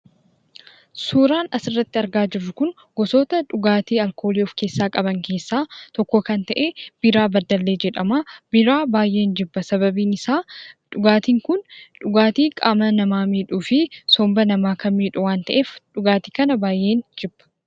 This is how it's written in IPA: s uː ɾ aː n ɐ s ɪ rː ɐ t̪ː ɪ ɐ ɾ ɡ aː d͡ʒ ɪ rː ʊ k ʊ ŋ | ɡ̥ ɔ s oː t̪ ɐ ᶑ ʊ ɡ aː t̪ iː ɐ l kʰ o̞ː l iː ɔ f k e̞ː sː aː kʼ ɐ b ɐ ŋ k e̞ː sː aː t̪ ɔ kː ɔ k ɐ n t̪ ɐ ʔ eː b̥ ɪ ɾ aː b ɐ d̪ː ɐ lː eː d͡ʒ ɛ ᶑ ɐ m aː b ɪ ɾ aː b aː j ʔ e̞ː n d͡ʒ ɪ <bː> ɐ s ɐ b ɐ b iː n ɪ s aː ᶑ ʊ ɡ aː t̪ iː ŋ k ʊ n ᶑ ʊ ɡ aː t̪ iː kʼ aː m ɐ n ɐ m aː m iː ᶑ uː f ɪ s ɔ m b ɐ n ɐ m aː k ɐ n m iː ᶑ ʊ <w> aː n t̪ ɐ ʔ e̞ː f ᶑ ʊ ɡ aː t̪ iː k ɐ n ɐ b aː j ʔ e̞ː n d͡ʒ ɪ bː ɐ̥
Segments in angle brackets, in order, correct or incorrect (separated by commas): correct, correct